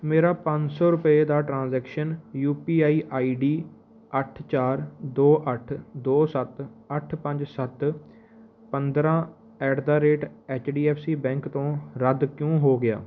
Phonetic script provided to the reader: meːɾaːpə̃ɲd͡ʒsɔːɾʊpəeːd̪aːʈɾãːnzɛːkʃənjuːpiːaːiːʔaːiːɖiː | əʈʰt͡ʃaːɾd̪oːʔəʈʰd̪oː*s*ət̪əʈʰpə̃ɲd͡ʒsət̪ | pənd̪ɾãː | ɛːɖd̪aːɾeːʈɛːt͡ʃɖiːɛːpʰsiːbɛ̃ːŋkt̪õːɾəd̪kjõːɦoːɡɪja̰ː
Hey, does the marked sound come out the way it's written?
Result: yes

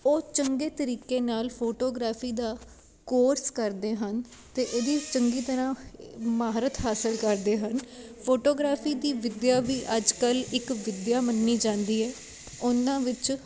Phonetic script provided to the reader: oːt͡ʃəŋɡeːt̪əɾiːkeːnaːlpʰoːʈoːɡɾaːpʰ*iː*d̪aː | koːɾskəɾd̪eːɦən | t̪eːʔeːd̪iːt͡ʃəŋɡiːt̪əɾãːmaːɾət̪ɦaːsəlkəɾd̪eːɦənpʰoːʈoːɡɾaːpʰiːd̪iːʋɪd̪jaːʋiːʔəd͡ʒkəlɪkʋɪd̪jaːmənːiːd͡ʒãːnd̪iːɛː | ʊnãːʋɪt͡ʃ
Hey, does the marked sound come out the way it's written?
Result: yes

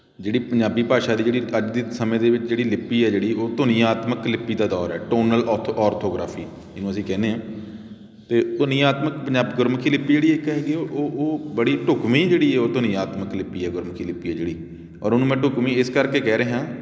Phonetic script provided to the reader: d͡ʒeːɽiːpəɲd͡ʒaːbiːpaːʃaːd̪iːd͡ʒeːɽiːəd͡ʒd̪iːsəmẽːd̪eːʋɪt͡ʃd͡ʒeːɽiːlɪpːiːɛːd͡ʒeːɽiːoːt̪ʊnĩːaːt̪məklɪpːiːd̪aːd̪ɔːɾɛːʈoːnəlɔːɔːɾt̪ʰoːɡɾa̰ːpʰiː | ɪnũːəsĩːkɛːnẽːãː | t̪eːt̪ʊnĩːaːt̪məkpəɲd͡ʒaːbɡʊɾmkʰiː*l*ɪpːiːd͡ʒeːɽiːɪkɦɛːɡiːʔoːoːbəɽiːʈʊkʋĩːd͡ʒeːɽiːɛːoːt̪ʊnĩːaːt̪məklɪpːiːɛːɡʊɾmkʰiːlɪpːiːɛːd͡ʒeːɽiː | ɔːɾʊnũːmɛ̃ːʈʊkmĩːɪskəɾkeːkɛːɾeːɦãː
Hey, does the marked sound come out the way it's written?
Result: yes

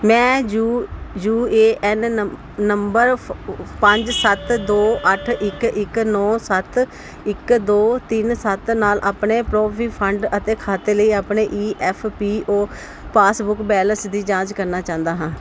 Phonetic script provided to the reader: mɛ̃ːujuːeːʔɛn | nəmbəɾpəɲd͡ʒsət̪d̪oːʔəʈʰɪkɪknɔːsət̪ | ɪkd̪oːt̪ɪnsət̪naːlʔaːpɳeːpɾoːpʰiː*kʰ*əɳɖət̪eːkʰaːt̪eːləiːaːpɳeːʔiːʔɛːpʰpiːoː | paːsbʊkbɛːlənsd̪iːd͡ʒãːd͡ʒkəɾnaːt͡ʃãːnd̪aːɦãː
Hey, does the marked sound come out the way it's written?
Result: no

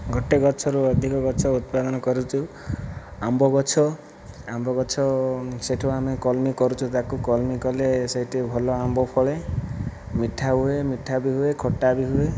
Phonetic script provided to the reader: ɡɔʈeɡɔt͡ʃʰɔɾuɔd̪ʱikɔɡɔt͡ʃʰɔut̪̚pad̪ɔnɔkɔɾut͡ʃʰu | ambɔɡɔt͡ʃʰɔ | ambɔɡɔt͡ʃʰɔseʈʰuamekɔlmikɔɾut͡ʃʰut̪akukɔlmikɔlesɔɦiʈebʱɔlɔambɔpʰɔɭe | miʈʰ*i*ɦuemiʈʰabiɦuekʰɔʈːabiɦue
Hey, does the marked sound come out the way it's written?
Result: no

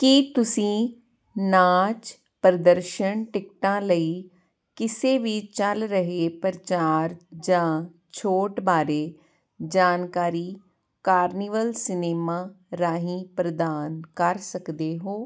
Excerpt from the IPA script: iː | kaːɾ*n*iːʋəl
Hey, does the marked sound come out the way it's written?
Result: yes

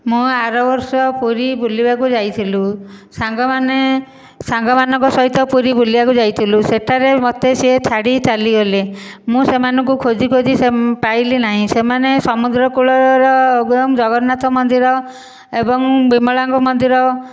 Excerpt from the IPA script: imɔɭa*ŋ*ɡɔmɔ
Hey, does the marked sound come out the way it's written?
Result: yes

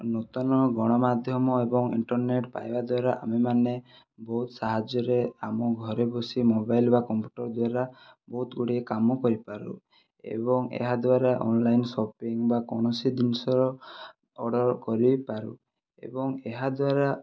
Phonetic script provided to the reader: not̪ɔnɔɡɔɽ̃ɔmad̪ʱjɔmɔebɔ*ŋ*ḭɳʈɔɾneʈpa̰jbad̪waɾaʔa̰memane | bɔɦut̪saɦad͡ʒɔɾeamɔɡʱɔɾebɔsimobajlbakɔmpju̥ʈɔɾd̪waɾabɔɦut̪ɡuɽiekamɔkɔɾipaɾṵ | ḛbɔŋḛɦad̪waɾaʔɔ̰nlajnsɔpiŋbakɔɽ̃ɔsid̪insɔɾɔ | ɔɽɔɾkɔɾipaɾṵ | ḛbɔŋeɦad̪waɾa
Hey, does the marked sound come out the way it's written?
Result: yes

